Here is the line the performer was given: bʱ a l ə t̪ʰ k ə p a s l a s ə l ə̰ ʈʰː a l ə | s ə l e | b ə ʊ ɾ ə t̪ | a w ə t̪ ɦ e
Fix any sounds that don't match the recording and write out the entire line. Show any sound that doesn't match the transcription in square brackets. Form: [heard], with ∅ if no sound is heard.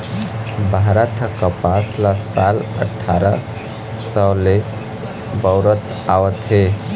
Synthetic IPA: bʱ a [ɾ] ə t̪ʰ k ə p a s l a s [a] l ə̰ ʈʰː a [ɾ] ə | s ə l e | b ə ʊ ɾ ə t̪ | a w ə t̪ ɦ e